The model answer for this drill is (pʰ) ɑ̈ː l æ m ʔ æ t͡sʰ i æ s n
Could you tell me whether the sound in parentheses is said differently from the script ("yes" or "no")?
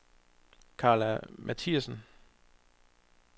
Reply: yes